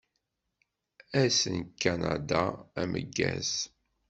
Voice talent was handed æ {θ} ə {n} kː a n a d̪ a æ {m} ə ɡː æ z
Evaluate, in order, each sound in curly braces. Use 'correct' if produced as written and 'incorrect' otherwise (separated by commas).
incorrect, correct, correct